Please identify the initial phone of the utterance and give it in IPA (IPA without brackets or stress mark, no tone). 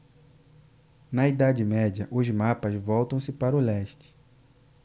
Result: n